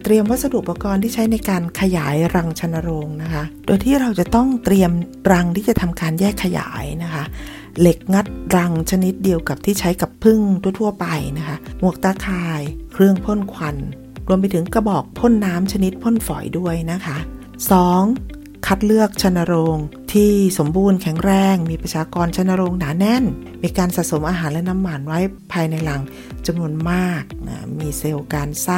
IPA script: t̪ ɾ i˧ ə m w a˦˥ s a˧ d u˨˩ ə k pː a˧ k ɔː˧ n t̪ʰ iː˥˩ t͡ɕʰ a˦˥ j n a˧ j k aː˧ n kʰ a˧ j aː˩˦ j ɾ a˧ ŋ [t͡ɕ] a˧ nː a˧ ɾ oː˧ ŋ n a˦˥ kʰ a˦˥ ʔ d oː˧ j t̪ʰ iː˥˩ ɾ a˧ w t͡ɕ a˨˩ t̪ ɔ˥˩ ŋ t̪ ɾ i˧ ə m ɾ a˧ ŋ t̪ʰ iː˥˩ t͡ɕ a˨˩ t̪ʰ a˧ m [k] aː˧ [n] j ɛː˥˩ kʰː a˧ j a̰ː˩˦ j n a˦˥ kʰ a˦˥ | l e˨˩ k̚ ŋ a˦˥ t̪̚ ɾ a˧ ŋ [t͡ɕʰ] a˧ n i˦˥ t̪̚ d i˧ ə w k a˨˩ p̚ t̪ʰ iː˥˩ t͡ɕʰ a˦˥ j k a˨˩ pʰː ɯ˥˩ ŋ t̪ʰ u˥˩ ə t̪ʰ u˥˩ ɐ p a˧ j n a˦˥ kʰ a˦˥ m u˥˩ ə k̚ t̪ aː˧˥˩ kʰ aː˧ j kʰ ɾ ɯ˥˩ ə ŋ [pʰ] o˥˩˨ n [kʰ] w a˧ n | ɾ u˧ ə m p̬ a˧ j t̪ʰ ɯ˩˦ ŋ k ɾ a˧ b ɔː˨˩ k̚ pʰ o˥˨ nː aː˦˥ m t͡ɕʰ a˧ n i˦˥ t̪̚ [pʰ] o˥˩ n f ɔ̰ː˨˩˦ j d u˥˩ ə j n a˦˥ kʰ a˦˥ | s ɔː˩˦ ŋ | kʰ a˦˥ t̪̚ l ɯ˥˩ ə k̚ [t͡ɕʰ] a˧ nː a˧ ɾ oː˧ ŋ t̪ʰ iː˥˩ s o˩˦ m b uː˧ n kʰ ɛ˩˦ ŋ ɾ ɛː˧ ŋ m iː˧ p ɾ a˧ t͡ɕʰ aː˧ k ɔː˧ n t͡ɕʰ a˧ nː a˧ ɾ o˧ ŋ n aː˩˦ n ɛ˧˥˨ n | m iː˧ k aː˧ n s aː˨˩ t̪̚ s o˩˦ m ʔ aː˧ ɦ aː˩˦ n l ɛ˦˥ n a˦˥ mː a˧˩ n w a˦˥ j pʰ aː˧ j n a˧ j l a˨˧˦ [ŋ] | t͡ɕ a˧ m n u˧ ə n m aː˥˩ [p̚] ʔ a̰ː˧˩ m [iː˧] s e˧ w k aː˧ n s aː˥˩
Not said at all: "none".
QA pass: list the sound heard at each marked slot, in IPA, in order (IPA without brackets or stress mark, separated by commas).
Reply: t͡ɕʰ, k, n, t͡ɕʰ, pʰ, kʰ, pʰ, t͡ɕʰ, ŋ, k̚, iː˧